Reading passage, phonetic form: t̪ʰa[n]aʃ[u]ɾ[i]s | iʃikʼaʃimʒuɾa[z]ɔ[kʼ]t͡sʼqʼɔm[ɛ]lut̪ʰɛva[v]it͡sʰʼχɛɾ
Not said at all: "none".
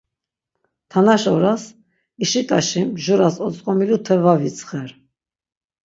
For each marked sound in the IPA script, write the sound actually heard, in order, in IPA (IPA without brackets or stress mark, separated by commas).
n, ɔ, a, s, none, i, v